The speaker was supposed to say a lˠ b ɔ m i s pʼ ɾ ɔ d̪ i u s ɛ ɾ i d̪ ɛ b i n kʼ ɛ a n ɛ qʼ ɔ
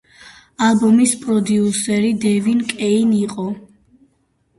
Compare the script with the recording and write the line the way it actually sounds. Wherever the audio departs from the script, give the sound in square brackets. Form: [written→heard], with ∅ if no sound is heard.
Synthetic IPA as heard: a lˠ b ɔ m i s pʼ ɾ ɔ d̪ i u s ɛ ɾ i d̪ ɛ [b→v] i n kʼ ɛ [a→i] n [ɛ→i] qʼ ɔ